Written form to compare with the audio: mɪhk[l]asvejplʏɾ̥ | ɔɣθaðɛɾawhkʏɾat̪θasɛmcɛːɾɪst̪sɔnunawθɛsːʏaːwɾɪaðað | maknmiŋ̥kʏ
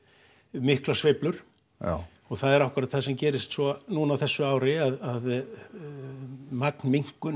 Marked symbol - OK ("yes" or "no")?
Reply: yes